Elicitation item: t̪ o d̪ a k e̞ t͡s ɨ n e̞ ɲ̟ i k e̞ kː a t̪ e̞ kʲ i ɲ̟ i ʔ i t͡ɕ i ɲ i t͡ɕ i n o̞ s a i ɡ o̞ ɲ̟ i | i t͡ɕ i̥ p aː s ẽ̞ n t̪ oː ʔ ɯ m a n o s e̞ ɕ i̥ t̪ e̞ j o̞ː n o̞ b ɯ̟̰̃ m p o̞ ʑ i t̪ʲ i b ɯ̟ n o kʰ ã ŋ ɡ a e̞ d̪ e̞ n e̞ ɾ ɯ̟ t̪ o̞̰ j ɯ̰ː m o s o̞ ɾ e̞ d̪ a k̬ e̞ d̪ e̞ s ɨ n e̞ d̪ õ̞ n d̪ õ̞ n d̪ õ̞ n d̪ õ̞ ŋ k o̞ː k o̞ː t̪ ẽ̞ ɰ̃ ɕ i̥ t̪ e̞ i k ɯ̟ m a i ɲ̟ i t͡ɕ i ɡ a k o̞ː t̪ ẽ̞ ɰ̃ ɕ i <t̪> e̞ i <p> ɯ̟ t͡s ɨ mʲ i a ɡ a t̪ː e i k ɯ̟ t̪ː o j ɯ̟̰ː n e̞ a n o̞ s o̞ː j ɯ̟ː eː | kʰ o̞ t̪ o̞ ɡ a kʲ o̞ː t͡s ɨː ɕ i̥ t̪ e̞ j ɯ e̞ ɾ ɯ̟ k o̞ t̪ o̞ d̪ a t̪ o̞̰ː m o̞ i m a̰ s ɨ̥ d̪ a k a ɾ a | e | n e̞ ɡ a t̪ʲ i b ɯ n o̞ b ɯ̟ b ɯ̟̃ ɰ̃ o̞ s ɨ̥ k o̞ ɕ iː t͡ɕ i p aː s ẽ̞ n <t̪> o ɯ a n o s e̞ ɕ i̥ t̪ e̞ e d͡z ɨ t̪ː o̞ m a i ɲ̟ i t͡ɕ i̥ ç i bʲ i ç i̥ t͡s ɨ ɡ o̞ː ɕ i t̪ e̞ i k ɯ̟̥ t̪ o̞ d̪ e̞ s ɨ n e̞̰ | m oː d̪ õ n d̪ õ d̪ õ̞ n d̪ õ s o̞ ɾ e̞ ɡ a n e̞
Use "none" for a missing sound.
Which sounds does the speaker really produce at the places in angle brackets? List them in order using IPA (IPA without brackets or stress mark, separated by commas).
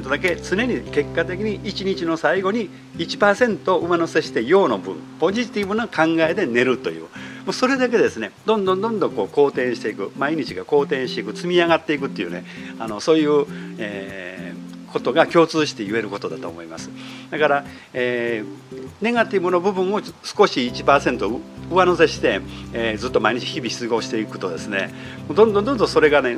t̪, k, t̪